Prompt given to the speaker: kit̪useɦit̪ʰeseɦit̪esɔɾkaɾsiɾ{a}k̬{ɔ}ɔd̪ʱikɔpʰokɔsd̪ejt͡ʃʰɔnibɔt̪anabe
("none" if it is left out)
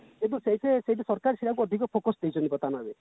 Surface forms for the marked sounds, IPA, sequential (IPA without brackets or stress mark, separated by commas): a, u